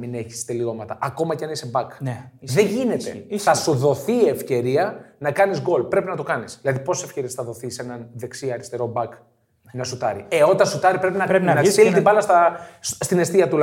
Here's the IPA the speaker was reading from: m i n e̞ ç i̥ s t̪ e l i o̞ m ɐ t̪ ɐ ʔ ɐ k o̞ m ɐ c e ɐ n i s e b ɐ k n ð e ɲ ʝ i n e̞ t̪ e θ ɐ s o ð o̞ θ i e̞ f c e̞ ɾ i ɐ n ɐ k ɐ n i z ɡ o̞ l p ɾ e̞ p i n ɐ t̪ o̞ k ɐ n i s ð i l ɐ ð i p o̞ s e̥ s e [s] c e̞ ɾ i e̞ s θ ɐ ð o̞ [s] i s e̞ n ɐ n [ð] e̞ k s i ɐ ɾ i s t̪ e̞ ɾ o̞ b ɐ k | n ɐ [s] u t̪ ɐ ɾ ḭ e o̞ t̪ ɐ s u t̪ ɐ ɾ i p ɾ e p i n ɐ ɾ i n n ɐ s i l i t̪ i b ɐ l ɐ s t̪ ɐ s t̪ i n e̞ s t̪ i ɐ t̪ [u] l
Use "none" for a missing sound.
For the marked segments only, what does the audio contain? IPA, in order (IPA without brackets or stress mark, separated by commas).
f, θ, ð, s, u